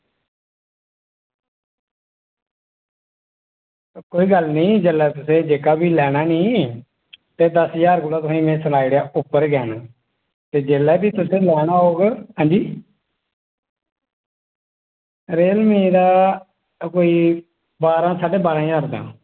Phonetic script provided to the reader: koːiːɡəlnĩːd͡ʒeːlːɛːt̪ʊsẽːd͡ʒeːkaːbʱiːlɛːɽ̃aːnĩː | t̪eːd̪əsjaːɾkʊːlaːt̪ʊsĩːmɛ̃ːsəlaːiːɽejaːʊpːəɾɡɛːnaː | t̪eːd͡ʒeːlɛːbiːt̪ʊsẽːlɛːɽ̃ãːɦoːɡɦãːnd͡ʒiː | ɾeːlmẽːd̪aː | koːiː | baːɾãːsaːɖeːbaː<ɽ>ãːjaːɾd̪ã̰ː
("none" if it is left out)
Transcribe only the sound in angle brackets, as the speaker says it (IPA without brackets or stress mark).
ɾ